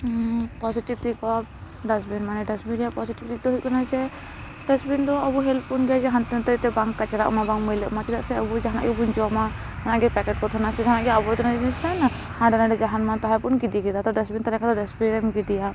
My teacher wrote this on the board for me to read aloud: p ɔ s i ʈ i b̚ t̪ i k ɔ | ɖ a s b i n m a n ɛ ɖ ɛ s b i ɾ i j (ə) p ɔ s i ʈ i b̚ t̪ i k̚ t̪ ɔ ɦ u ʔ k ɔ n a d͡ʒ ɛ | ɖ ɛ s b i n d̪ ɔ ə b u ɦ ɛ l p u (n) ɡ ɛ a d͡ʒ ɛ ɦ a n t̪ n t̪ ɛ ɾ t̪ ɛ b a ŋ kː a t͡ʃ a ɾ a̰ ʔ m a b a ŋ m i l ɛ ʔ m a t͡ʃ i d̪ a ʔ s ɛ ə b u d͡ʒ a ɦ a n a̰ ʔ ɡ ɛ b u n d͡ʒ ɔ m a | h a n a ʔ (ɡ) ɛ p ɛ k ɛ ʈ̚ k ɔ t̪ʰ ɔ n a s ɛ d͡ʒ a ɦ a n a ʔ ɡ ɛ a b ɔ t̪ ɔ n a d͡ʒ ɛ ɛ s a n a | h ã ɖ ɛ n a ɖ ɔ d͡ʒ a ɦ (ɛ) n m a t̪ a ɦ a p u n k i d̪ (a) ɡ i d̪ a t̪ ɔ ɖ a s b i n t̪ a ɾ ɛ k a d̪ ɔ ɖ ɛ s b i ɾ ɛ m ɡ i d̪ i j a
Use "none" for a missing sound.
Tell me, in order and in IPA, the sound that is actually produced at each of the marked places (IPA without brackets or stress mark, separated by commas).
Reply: a, n, ɡ, a, i